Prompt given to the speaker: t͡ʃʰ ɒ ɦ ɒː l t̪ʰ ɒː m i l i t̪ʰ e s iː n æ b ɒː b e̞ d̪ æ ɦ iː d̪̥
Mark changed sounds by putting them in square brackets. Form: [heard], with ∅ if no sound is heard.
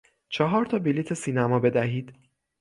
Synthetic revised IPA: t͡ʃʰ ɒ ɦ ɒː [ɾ] t̪ʰ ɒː [b] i l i t̪ʰ e s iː n æ [m] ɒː b e̞ d̪ æ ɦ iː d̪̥